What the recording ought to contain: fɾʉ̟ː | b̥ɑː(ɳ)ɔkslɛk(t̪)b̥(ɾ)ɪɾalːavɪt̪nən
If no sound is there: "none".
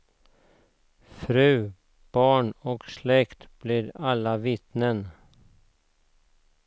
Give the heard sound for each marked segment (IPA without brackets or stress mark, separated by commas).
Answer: ɳ, t̪, l